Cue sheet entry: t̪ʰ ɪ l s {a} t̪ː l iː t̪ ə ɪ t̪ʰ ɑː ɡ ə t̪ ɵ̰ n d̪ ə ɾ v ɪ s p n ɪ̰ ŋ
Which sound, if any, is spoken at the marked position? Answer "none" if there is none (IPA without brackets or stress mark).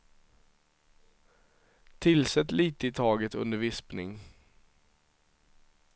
ɛ